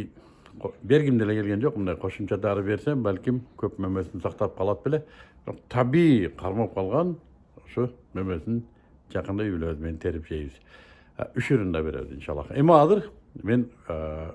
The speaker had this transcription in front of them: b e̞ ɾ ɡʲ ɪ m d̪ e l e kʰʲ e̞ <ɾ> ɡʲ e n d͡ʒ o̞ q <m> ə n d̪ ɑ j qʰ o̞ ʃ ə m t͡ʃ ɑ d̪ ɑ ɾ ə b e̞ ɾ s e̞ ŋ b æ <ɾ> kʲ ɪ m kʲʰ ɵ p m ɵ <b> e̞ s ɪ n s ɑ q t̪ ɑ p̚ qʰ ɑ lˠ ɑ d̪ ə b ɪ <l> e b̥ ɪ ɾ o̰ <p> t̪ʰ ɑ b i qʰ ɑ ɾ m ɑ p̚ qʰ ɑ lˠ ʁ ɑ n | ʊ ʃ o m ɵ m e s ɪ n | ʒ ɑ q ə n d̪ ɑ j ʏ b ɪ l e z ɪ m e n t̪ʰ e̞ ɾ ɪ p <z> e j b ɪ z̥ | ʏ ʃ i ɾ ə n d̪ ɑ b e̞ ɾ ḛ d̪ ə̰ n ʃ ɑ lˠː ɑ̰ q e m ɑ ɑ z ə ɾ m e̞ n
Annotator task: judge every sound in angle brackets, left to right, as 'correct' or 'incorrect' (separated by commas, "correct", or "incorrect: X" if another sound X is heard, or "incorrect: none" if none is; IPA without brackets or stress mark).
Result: incorrect: l, correct, incorrect: l, incorrect: m, correct, incorrect: q, incorrect: ʒ